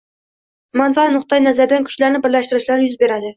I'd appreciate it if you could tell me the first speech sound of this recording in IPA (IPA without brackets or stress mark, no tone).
m